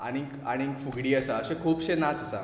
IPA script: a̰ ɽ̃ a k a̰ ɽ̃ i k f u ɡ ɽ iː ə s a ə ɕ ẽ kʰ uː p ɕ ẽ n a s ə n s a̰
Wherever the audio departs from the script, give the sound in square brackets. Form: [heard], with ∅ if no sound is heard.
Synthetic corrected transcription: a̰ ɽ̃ [i] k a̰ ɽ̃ i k f u ɡ ɽ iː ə s a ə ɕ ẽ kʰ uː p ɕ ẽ n a [t͡s] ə [∅] s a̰